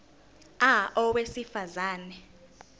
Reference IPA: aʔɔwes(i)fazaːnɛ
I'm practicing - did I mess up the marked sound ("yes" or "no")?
no